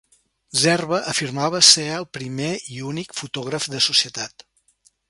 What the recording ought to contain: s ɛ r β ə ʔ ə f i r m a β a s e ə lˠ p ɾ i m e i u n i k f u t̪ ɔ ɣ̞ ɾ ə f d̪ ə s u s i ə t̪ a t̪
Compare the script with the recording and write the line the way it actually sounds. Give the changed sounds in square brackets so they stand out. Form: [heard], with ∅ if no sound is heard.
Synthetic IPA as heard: [z] ɛ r β ə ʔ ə f i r m a β [ə] s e ə lˠ p ɾ i m e i u n i k f u t̪ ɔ ɣ̞ ɾ ə f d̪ ə s u s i ə t̪ a t̪